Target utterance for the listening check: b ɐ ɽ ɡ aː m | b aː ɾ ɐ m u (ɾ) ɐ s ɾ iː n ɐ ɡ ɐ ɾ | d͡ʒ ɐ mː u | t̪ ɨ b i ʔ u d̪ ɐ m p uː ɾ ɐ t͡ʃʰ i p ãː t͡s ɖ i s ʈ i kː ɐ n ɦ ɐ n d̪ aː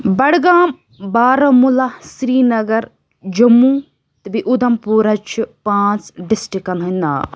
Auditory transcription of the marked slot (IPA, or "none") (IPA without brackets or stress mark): l